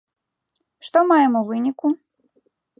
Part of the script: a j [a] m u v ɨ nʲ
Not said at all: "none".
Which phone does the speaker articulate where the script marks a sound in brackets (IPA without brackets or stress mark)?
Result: ɛ